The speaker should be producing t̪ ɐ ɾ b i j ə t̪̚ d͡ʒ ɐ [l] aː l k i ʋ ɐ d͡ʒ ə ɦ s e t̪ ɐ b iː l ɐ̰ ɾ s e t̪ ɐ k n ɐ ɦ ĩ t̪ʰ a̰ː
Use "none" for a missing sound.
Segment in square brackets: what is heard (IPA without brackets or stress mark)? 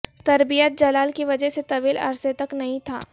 l